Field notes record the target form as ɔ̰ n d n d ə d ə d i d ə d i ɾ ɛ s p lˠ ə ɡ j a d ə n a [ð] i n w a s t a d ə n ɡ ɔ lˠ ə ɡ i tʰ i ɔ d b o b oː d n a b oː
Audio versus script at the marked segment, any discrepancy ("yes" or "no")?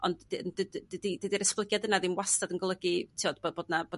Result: no